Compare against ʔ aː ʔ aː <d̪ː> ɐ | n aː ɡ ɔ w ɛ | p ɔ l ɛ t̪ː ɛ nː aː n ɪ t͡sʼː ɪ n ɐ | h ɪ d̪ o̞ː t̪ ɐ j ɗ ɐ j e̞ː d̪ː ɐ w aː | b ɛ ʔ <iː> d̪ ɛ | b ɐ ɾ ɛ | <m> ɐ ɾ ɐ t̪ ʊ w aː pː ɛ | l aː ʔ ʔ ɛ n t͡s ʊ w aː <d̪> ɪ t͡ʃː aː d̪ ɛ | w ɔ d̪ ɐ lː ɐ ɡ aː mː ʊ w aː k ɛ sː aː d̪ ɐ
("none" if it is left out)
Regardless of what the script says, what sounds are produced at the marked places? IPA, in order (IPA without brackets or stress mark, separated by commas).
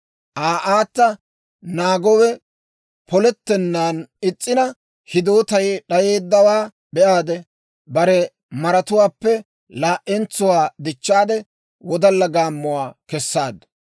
t̪ː, aː, m, d̪